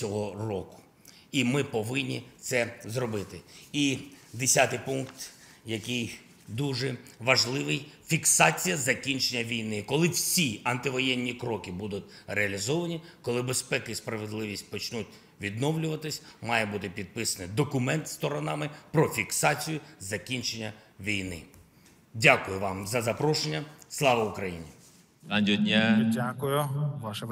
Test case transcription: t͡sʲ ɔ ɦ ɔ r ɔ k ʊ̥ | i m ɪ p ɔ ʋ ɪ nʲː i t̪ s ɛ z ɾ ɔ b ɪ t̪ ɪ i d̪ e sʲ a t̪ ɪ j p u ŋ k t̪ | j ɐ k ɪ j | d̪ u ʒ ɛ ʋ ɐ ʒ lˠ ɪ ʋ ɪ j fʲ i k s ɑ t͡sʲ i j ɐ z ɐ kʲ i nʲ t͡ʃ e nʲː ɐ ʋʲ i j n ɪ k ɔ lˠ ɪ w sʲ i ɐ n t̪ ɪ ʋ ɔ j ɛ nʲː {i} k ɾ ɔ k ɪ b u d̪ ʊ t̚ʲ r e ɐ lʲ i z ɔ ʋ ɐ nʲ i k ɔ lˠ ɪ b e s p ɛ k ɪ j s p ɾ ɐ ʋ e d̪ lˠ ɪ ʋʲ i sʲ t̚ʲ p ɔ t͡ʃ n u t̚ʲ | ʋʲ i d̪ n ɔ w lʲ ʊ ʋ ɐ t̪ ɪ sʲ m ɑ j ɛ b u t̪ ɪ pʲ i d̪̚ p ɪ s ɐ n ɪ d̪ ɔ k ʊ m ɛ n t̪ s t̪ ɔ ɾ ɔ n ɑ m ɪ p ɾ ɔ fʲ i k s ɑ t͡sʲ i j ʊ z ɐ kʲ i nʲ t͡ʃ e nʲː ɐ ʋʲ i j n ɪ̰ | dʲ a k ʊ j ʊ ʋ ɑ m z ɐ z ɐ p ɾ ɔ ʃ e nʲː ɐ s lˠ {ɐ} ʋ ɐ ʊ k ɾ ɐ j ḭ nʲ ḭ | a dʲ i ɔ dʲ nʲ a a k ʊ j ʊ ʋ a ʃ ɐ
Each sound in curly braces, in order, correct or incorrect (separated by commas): correct, incorrect